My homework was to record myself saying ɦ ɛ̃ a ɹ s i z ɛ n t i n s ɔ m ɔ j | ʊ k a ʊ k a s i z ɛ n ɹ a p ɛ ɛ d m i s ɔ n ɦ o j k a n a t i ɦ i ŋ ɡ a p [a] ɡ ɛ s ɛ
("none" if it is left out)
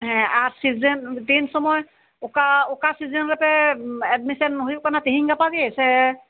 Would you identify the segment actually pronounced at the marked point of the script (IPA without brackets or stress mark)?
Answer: a